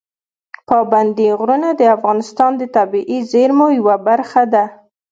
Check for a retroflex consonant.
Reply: absent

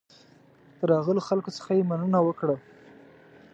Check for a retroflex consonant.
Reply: present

